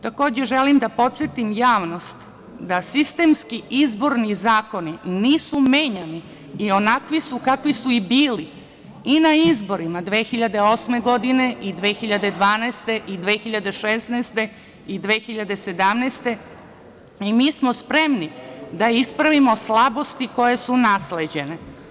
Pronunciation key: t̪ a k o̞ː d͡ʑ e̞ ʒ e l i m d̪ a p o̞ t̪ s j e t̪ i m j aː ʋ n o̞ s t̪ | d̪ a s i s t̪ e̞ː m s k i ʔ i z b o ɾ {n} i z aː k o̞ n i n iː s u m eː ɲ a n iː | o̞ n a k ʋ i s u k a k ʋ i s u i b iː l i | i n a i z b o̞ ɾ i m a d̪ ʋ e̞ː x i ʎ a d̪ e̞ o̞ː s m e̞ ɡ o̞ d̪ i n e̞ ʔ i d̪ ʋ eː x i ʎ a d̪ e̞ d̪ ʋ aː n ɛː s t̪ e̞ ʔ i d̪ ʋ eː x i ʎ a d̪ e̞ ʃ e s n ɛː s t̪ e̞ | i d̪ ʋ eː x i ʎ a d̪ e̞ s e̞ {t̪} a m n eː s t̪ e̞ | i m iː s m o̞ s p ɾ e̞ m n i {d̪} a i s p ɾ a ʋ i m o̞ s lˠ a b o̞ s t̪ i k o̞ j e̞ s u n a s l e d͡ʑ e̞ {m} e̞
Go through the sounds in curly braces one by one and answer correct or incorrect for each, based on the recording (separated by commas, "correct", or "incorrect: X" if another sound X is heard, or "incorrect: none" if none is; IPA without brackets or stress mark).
correct, incorrect: d̪, correct, incorrect: n